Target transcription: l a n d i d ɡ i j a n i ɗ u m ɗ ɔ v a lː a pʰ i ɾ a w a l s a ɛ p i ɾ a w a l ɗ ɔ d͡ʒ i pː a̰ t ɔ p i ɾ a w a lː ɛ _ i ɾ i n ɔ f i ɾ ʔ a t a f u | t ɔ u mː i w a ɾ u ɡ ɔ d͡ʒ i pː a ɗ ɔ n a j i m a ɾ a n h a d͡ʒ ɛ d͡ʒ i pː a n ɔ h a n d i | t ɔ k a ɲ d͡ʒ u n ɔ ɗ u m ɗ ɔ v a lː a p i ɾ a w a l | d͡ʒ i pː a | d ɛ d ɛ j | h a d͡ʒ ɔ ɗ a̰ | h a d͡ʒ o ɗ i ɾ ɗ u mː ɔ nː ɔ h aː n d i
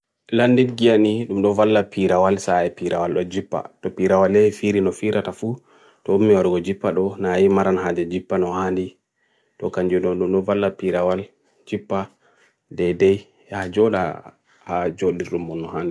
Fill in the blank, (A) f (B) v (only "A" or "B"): A